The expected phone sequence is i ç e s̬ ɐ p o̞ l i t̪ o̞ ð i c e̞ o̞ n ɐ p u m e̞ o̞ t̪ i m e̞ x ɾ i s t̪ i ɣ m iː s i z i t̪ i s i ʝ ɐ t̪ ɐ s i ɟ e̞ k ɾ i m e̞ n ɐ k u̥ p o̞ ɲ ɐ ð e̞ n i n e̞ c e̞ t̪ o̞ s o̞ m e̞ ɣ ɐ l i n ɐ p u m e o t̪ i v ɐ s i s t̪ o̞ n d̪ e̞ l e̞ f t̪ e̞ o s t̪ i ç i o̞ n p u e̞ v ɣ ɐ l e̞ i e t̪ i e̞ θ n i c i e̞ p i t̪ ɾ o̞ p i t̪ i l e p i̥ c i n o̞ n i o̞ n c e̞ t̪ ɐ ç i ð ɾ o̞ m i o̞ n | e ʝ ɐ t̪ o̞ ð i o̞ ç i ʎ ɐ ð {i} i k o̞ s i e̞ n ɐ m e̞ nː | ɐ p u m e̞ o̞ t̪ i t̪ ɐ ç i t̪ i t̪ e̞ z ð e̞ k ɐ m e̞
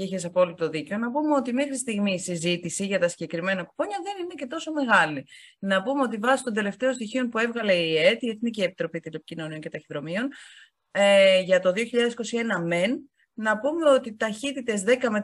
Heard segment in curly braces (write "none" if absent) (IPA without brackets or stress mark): e